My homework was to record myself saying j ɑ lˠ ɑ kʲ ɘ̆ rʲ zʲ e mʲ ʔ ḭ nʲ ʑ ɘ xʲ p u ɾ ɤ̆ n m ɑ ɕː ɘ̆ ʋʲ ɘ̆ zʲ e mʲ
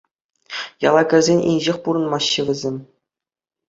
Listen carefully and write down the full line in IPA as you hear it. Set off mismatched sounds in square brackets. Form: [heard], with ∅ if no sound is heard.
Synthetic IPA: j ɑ lˠ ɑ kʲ ɘ̆ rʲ zʲ e [nʲ] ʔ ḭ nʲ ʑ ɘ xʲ p u ɾ ɤ̆ n m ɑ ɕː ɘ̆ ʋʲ ɘ̆ zʲ e mʲ